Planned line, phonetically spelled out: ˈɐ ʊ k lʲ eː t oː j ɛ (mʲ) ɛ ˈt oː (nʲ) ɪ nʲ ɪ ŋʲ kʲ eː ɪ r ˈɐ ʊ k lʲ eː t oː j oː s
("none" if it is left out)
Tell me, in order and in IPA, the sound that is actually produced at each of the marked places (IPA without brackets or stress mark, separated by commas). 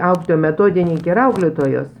mʲ, dʲ